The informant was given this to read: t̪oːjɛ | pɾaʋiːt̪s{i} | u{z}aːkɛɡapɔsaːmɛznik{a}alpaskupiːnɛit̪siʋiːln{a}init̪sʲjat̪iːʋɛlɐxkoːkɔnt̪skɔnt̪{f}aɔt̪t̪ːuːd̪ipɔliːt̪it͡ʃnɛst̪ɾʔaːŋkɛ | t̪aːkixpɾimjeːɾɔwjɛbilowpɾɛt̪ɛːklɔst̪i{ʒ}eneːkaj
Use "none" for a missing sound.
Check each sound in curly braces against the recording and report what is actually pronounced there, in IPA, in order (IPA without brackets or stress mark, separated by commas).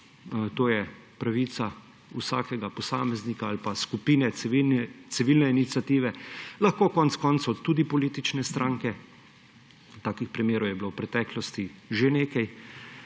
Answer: a, s, a, ɛ, s, ʒ